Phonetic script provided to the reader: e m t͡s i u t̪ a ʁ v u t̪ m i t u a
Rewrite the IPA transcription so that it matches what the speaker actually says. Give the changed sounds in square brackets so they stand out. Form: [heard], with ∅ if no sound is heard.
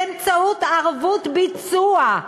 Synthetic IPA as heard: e m t͡s [a] u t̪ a ʁ v u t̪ [b] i [t͡s] u a